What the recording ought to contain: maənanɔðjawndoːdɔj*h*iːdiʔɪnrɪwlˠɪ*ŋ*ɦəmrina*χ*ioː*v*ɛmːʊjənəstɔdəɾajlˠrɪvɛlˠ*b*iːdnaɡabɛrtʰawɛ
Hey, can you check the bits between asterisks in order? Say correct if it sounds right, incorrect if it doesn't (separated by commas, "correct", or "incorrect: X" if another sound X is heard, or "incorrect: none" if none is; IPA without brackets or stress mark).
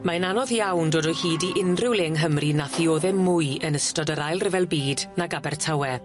correct, correct, incorrect: θ, incorrect: ð, correct